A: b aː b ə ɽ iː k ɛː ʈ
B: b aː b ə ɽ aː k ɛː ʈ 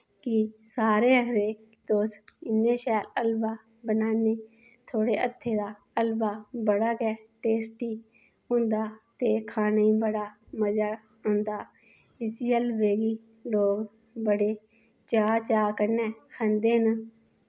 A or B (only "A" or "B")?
B